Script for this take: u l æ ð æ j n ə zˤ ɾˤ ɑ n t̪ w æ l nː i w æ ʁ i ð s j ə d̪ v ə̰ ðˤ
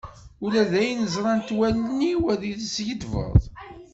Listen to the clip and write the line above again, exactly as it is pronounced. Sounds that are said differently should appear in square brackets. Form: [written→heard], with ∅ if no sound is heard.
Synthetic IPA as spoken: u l æ ð æ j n ə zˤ ɾˤ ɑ n t̪ w æ l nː i w æ [ʁ→ð] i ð s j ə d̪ v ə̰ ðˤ